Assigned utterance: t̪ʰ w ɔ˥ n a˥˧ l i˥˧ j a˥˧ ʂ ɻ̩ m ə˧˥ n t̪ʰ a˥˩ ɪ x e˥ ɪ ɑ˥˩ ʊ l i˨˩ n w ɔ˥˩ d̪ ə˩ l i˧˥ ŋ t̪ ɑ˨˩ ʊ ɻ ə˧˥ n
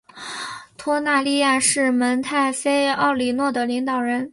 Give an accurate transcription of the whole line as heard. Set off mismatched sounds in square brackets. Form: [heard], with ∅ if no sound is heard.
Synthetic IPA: t̪ʰ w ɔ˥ n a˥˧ l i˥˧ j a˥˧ ʂ ɻ̩ m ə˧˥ n t̪ʰ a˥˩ ɪ [f] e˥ ɪ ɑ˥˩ ʊ l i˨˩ n w ɔ˥˩ d̪ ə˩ l i˧˥ ŋ t̪ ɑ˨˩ ʊ ɻ ə˧˥ n

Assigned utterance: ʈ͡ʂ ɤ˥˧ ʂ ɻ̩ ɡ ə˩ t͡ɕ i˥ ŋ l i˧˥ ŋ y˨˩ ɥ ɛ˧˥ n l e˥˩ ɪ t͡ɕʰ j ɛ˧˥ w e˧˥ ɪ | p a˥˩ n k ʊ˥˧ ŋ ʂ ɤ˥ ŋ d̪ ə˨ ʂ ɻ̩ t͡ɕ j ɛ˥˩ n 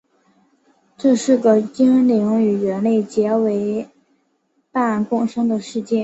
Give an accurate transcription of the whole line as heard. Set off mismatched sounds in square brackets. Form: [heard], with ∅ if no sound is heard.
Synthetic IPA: ʈ͡ʂ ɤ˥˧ ʂ ɻ̩ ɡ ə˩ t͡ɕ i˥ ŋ l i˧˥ ŋ y˨˩ ɥ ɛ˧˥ n l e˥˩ ɪ [t͡ɕ] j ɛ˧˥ w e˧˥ ɪ | p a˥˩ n k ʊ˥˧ ŋ ʂ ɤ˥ ŋ d̪ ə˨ ʂ ɻ̩ t͡ɕ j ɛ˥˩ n

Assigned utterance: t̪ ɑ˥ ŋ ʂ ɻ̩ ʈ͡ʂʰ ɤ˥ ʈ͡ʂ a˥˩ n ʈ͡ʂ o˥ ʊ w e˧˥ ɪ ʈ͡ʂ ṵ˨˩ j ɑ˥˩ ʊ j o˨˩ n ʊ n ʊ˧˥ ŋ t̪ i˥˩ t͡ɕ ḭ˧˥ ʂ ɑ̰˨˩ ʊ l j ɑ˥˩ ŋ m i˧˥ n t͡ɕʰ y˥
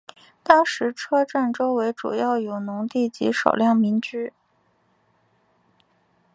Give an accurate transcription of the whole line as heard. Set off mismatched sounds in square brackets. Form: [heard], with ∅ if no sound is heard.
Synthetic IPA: t̪ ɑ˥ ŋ ʂ ɻ̩ ʈ͡ʂʰ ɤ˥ ʈ͡ʂ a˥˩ n ʈ͡ʂ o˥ ʊ w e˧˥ ɪ ʈ͡ʂ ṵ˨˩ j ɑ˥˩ ʊ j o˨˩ [∅] ʊ n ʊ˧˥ ŋ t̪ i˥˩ t͡ɕ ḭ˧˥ ʂ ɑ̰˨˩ ʊ l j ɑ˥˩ ŋ m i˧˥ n [t͡ɕ] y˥

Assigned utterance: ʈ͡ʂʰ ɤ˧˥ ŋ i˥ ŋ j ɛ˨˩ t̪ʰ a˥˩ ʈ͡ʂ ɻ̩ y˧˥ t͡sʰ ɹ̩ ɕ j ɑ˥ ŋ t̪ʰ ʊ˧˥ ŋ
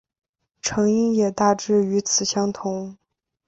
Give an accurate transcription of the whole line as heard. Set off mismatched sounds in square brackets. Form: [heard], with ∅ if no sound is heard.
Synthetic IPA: ʈ͡ʂʰ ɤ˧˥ ŋ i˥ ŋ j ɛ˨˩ [t̪] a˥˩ ʈ͡ʂ ɻ̩ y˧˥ t͡sʰ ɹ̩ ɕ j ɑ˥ ŋ t̪ʰ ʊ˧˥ ŋ

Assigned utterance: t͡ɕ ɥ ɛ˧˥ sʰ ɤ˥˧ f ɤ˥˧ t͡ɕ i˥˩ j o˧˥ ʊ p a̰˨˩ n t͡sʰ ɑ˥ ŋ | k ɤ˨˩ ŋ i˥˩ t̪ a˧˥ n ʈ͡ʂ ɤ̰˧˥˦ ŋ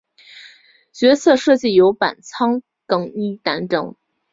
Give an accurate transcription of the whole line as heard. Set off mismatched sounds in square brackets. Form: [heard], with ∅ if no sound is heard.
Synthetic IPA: t͡ɕ ɥ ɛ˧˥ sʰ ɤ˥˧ [ʂ] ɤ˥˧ t͡ɕ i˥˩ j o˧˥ ʊ p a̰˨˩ n t͡sʰ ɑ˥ ŋ | k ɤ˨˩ ŋ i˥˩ t̪ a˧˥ n ʈ͡ʂ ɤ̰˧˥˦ ŋ

